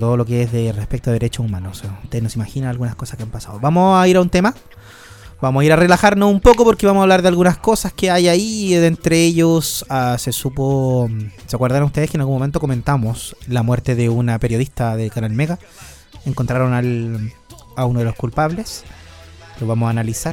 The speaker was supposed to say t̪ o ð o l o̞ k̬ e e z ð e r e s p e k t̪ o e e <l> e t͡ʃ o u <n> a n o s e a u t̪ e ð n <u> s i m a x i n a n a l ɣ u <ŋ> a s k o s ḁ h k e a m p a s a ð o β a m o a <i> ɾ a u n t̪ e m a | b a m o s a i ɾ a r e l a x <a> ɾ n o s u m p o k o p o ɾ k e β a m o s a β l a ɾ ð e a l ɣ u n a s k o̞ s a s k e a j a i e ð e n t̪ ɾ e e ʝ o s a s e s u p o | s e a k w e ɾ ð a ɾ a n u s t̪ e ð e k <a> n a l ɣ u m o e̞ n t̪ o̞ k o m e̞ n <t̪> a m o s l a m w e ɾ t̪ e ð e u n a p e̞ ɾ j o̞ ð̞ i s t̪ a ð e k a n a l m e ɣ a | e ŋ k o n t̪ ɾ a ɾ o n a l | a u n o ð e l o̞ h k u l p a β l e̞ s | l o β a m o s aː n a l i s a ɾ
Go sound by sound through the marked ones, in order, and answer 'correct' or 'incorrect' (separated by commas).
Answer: incorrect, incorrect, incorrect, incorrect, correct, correct, incorrect, correct